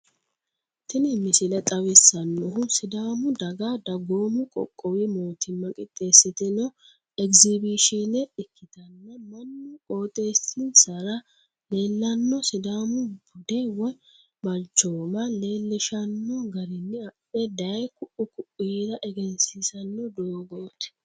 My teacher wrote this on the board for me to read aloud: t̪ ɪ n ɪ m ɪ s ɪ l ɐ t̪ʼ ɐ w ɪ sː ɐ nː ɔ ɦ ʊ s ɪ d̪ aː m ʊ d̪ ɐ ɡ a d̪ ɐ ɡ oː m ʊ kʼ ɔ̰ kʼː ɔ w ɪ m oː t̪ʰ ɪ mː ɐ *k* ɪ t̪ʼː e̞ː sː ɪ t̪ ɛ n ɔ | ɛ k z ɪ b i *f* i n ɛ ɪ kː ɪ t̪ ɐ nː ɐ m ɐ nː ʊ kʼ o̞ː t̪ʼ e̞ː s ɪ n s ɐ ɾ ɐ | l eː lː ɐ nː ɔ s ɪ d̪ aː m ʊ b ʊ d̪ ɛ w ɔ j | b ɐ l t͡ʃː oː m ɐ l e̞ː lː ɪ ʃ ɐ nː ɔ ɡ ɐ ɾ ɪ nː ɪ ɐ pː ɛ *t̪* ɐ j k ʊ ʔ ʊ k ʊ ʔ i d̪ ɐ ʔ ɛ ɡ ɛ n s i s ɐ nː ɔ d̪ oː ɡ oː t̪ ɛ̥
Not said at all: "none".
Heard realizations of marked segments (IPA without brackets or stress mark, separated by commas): kʼ, ʃ, d̪